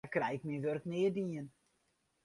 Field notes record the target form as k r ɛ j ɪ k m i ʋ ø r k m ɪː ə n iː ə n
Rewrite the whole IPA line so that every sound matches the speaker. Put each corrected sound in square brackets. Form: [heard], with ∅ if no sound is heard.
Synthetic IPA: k r ɛ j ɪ k m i ʋ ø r k [n] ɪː ə [d] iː ə n